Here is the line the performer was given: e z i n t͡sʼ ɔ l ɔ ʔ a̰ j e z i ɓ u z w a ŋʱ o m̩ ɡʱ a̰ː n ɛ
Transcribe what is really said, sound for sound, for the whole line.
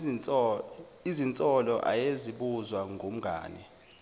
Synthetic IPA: i z i n t͡sʼ ɔ l ɔ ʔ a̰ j e z i ɓ u z w a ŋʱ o m̩ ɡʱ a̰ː n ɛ